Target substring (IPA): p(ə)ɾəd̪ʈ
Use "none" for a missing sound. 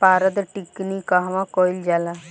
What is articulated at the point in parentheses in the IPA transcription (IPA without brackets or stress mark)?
a